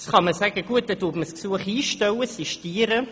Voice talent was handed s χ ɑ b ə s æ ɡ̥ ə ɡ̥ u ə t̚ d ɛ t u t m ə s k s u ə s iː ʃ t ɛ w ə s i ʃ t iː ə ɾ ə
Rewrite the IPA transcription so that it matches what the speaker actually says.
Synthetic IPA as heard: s χ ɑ m ə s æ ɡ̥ ə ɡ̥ u ə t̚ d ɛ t u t m ə s k s u ə χ iː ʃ t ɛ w ə s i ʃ t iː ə ɾ ə